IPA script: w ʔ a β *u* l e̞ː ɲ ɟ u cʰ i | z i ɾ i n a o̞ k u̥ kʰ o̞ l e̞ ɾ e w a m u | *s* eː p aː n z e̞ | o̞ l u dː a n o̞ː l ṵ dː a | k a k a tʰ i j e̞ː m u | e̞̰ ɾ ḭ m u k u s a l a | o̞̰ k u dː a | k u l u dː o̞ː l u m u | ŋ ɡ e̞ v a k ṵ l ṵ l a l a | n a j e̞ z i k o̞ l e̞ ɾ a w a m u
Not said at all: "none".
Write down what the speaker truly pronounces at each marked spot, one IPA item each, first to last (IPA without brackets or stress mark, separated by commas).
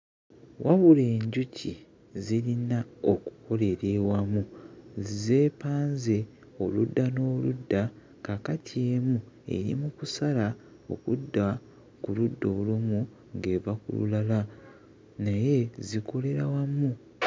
u, z